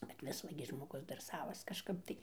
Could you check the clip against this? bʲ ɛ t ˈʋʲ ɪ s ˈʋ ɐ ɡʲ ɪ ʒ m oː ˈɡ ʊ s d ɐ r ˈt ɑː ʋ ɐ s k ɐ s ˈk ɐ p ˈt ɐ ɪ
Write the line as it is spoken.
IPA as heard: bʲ ɛ t ˈʋʲ ɪ s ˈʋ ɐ ɡʲ ɪ ʒ m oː ˈɡ ʊ s d ɐ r ˈs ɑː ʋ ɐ s k ɐ ʃ ˈk ɐ p ˈt ɐ ɪ